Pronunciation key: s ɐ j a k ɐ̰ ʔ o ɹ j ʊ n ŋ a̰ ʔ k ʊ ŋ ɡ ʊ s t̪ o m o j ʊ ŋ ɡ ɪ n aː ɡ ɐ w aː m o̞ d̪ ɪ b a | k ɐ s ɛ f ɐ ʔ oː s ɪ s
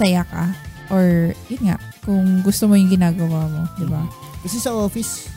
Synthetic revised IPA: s ɐ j a k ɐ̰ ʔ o ɹ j ʊ n ŋ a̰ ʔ k ʊ ŋ ɡ ʊ s t̪ o m o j ʊ ŋ ɡ ɪ n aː ɡ ɐ w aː m o̞ d̪ ɪ b a | k ɐ s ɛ s ɐ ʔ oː f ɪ s